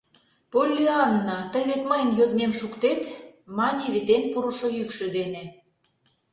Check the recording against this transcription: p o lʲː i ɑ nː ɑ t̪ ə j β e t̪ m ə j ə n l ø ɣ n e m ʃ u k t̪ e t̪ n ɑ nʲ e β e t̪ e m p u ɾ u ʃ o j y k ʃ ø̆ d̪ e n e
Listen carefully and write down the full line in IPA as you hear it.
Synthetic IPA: p o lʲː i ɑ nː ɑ t̪ ə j β e t̪ m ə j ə n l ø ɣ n e m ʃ u k t̪ e t̪ m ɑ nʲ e β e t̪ e n p u ɾ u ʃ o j y k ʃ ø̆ d̪ e n e